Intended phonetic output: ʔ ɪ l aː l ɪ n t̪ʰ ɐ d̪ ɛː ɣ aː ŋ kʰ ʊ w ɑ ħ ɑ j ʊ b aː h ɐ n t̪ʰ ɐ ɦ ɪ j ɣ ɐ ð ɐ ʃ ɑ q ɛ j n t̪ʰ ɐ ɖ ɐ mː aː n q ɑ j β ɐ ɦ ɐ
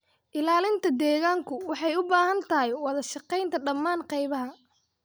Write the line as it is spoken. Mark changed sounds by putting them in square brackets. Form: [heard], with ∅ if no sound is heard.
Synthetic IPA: ʔ ɪ l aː l ɪ n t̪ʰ ɐ d̪ ɛː ɣ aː ŋ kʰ ʊ w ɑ ħ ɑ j ʊ b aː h ɐ n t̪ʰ ɐ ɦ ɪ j [w] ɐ ð ɐ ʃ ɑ q ɛ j n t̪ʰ ɐ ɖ ɐ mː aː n q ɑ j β ɐ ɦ ɐ